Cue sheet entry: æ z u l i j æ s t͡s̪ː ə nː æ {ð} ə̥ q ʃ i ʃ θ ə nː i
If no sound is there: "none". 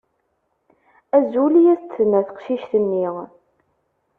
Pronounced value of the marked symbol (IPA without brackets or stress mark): θ